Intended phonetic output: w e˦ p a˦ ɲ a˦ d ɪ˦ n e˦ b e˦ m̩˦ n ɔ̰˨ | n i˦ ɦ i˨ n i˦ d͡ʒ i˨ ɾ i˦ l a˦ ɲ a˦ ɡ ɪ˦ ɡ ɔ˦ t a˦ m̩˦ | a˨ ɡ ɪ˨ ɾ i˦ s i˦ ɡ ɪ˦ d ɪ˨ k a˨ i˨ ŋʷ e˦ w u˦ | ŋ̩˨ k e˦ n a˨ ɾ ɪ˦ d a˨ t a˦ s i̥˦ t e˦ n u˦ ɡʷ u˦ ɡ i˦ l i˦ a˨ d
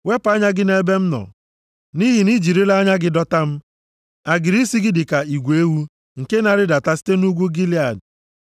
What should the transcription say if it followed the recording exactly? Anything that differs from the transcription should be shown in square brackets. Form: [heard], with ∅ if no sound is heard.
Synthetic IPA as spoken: w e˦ p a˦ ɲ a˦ [ɡ] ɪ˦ n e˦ b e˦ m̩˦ n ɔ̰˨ | n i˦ ɦ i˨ n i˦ d͡ʒ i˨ ɾ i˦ l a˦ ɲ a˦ ɡ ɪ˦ [d] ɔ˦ t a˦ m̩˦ | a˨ ɡ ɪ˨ ɾ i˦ s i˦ ɡ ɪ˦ d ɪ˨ k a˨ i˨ [ɡʷ] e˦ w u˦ | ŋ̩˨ k e˦ n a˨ ɾ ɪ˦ d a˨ t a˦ s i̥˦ t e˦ n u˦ ɡʷ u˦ ɡ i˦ l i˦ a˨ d